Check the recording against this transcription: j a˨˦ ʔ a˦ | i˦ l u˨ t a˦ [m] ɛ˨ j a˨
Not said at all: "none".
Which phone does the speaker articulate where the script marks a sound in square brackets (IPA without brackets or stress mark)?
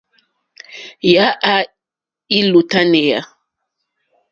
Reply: n